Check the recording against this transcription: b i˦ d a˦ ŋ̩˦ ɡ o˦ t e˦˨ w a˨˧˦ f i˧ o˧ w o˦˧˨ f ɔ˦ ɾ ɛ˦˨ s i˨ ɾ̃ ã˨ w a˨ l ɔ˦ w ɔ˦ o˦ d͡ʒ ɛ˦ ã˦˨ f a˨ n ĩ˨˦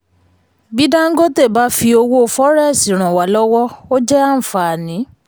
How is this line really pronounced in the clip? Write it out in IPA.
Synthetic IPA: b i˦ d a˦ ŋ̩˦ ɡ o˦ t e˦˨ b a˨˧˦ f i˧ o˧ w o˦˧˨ f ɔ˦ ɾ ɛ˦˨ s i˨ ɾ̃ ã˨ w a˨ l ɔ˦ w ɔ˦ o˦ d͡ʒ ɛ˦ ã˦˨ f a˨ n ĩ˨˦